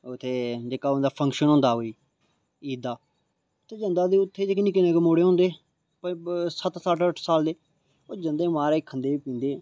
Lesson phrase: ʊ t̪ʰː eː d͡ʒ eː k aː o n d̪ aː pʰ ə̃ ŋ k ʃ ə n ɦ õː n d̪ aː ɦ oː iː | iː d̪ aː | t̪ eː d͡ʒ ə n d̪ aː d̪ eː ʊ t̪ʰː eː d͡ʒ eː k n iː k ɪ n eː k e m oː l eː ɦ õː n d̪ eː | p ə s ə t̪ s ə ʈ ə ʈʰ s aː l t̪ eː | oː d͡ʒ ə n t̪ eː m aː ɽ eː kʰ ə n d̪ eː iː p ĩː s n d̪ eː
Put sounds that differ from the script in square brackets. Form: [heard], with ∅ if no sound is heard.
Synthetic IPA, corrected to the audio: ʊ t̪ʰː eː d͡ʒ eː k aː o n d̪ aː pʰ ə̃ ŋ k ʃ ə n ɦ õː n d̪ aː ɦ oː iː | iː d̪ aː | t̪ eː d͡ʒ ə n d̪ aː d̪ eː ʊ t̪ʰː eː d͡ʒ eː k n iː k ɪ n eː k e m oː [ɽ] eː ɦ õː n d̪ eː | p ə s ə t̪ s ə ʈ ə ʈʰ s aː l [d̪] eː | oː d͡ʒ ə n [d̪] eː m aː [ɾ] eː kʰ ə n d̪ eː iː p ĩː [∅] n d̪ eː